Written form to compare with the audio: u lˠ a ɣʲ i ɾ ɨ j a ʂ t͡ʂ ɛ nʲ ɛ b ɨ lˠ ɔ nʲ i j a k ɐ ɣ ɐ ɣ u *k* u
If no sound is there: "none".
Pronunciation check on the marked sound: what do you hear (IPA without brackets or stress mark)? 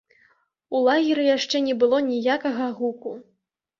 k